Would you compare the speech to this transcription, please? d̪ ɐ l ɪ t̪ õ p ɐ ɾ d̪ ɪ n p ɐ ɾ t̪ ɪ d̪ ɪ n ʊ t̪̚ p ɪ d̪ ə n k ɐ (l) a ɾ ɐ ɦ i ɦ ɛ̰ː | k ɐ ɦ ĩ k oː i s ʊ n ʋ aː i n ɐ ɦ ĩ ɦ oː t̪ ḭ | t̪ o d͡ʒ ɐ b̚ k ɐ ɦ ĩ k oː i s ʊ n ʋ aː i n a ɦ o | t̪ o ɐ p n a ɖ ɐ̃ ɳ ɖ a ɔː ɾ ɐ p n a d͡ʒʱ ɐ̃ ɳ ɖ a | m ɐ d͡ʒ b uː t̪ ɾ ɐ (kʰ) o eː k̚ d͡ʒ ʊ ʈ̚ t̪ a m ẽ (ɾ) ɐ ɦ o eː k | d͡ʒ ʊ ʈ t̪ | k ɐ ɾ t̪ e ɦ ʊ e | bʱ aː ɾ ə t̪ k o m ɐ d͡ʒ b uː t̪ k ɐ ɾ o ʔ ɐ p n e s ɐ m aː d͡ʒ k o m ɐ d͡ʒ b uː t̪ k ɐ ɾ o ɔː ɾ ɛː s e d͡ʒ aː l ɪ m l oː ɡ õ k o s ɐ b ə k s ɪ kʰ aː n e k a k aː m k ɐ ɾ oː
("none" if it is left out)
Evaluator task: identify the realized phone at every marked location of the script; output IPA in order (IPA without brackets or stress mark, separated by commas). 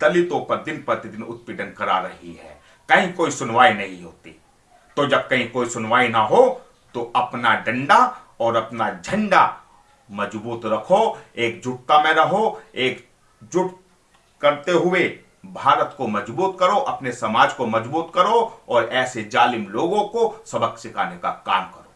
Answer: ɾ, kʰ, ɾ